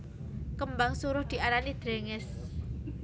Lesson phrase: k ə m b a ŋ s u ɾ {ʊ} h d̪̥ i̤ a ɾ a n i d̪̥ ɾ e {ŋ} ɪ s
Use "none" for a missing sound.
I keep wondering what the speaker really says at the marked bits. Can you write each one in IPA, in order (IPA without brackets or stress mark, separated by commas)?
ʊ, ŋ